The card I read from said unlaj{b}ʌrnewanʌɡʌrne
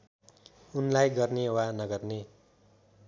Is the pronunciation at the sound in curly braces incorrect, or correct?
incorrect: ɡ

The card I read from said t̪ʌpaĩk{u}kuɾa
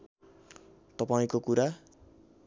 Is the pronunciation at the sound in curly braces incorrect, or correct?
incorrect: o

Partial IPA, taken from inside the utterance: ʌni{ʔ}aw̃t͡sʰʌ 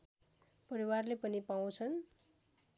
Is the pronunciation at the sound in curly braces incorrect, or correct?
incorrect: p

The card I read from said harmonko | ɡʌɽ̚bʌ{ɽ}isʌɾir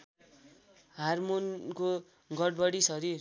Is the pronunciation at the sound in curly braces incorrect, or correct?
correct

